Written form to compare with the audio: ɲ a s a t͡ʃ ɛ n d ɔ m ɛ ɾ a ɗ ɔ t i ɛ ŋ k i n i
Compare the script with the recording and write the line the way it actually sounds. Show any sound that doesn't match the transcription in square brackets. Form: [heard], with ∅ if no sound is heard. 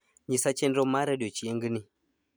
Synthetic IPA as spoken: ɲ [i] s a t͡ʃ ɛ n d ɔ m [a] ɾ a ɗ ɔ [t͡ʃ] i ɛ ŋ [ɡ] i n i